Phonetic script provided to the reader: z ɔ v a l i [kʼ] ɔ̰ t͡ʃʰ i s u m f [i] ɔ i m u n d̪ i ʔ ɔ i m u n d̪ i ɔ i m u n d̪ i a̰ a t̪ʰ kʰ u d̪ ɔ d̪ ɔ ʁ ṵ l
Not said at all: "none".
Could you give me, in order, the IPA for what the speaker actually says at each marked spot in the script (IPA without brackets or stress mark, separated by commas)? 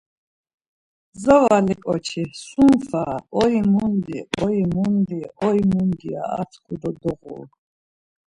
kʼ, a